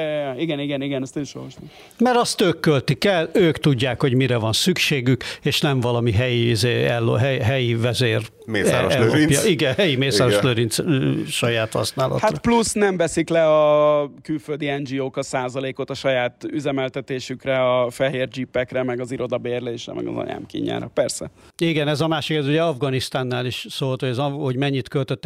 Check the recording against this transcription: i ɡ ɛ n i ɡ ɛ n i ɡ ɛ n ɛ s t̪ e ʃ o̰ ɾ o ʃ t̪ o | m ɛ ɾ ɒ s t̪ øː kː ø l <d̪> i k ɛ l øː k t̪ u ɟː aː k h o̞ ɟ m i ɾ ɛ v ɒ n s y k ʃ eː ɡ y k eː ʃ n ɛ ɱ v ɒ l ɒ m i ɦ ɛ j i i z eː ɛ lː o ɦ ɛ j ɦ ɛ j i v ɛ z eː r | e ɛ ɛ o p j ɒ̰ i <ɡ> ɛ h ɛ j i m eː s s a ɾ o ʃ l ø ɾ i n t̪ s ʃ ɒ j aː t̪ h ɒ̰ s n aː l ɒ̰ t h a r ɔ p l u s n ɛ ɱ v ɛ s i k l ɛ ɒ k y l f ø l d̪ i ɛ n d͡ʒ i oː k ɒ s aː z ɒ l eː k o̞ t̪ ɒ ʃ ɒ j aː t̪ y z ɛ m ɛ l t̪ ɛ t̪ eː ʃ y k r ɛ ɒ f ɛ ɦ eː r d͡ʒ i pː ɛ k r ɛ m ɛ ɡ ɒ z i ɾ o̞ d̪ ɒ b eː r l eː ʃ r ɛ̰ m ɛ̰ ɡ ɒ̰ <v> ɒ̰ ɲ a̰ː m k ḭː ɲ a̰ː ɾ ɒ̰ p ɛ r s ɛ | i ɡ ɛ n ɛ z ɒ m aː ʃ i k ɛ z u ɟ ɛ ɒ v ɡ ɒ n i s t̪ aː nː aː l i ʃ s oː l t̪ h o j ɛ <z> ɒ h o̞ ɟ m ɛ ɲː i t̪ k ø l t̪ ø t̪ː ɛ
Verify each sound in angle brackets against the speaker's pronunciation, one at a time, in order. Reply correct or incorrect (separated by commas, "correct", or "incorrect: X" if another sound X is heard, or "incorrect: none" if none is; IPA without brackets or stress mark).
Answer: incorrect: t̪, correct, incorrect: z, correct